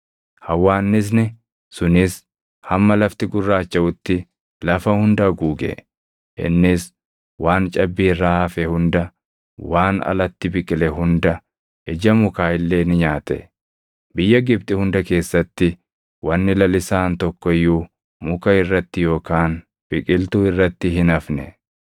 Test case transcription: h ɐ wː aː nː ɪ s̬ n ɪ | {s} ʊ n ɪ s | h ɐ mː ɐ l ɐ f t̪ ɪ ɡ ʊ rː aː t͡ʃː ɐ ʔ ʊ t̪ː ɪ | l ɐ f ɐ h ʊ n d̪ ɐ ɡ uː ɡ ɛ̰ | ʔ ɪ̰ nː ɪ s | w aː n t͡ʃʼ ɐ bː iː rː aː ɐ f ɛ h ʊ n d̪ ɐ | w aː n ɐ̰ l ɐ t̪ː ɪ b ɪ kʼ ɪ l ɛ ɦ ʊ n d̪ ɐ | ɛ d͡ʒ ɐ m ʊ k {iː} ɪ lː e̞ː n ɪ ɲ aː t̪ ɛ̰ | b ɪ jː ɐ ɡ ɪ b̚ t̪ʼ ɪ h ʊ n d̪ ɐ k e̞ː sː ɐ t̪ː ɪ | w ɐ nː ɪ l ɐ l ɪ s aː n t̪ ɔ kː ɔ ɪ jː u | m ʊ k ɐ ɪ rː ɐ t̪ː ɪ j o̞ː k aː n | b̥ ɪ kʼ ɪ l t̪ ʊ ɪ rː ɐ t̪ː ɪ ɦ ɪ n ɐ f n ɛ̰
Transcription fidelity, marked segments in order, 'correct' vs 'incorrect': correct, incorrect: aː

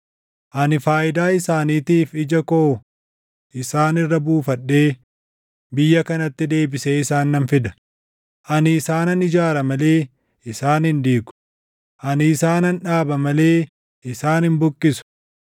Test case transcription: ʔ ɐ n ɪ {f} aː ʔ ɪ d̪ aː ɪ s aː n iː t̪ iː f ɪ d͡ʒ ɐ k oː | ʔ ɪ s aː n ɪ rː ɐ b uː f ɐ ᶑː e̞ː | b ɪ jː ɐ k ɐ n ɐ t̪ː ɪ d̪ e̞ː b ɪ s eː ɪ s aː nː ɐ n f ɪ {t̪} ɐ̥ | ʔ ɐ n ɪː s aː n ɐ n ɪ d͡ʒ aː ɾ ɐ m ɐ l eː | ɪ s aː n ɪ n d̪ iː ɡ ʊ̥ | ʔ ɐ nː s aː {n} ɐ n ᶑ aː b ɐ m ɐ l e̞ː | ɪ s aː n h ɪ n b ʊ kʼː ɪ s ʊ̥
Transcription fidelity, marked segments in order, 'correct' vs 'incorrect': correct, incorrect: d̪, correct

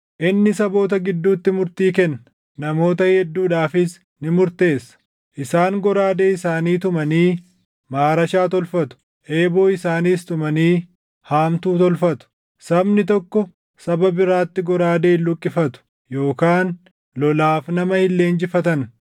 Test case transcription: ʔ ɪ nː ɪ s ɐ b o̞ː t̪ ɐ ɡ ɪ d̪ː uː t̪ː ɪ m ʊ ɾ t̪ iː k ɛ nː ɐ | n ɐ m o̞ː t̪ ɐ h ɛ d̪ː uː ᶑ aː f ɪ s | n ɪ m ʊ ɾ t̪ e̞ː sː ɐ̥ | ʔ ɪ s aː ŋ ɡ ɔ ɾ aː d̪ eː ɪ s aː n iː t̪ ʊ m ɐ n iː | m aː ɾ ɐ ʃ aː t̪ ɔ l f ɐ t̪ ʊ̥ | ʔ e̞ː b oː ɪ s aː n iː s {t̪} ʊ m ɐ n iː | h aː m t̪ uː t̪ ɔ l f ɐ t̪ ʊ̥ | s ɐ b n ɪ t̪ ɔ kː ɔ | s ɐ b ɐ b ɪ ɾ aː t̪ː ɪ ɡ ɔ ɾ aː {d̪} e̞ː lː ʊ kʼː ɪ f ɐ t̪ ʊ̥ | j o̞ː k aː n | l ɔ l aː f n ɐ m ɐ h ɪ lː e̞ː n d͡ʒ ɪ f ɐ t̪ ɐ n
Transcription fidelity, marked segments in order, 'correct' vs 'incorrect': correct, correct

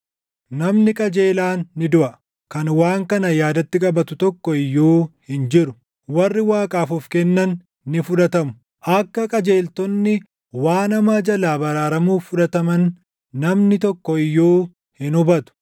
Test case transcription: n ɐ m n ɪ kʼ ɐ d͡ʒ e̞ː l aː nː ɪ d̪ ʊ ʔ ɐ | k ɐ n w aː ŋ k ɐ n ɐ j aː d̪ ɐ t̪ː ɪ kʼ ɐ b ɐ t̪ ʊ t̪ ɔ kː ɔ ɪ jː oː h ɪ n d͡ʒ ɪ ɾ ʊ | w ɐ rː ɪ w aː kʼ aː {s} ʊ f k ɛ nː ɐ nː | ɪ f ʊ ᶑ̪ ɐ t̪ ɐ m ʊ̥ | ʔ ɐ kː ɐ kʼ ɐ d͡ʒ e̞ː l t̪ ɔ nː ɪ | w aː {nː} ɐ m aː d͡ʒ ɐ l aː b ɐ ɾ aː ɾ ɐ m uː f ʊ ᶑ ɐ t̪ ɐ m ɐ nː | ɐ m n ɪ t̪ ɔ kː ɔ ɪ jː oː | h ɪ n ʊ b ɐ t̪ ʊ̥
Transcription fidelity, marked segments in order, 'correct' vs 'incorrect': incorrect: f, incorrect: n

